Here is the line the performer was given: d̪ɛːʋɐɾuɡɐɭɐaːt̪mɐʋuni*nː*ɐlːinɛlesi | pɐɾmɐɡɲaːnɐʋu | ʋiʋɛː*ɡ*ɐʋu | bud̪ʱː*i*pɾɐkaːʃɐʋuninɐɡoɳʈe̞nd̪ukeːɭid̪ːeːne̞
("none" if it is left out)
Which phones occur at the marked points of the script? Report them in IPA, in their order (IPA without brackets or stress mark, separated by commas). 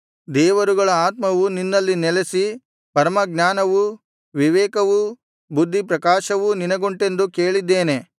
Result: nː, k, i